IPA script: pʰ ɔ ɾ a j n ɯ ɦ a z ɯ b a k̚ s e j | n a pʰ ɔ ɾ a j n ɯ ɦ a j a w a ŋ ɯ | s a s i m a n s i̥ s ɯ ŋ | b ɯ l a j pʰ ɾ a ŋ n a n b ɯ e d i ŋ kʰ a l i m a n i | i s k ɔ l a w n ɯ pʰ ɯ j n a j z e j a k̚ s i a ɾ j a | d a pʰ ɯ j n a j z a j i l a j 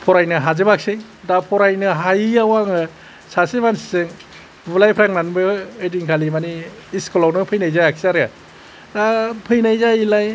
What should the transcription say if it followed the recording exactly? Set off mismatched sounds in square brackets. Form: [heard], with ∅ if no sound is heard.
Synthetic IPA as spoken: pʰ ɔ ɾ a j n ɯ ɦ a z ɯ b a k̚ s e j | [d] a pʰ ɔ ɾ a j n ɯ ɦ a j a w a ŋ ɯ | s a s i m a n s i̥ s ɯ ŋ | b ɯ l a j pʰ ɾ a ŋ n a n b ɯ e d i ŋ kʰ a l i m a n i | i s k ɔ l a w n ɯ pʰ ɯ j n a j z [a] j a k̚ s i a ɾ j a | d a pʰ ɯ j n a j z a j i l a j

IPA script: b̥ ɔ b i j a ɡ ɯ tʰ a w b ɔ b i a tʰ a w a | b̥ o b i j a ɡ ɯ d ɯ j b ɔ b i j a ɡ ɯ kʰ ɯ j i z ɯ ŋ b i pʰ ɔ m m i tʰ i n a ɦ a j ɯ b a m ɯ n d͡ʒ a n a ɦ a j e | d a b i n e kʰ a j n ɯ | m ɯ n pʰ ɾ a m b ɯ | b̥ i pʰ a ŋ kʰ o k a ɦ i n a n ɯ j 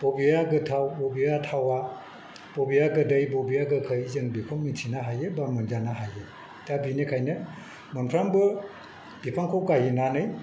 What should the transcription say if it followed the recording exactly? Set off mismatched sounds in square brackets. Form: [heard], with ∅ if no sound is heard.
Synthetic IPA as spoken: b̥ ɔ b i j a ɡ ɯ tʰ a w b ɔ b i a tʰ a w a | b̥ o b i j a ɡ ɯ d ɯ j b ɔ b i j a ɡ ɯ kʰ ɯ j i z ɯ ŋ b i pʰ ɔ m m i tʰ i n a ɦ a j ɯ b a m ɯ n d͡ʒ a n a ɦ a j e | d a b i n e kʰ a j n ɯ | m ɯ n pʰ ɾ a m b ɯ | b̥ i pʰ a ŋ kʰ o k a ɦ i n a n ɯ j

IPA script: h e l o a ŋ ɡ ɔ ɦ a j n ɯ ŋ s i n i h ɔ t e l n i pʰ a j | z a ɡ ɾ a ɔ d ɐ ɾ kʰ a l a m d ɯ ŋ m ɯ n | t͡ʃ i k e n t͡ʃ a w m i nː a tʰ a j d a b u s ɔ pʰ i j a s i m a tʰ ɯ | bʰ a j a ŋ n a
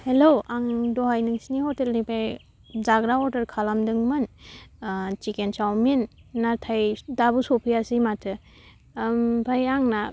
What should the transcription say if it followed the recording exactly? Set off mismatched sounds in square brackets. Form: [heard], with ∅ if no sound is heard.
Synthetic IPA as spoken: h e l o a ŋ [d] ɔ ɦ a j n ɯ ŋ s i n i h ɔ t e l n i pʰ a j | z a ɡ ɾ a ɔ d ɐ ɾ kʰ a l a m d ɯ ŋ m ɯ n | t͡ʃ i k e n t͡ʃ a w m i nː a tʰ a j d a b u s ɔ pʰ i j a s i m a tʰ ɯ | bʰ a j a ŋ n a

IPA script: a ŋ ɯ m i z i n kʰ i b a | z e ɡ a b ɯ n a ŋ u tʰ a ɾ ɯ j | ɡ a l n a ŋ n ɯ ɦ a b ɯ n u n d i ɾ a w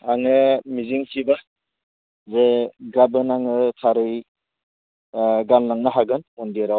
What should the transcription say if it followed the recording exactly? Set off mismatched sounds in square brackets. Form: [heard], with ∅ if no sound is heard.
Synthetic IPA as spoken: a ŋ ɯ m i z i [ŋ] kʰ i b a | z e ɡ a b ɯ n a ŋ [ɯ] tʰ a ɾ ɯ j | ɡ a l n a ŋ n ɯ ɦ a [ɡ] ɯ n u n d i ɾ a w

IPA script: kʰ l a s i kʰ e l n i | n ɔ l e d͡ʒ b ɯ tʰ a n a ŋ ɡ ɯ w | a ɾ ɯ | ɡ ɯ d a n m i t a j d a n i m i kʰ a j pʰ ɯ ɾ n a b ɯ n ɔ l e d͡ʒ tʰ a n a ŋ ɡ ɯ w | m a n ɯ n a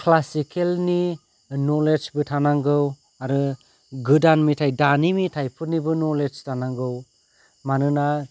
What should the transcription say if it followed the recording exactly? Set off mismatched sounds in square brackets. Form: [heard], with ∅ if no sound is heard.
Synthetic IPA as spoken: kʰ l a s i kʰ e l n i | n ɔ l e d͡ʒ b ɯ tʰ a n a ŋ ɡ ɯ w | a ɾ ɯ | ɡ ɯ d a n m i [tʰ] a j d a n i m i [tʰ] a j pʰ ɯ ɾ n [i] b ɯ n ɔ l e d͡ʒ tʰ a n a ŋ ɡ ɯ w | m a n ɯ n a

